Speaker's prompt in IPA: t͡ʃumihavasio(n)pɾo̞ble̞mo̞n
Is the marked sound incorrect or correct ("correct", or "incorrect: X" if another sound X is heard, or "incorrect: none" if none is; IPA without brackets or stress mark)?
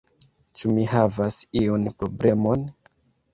correct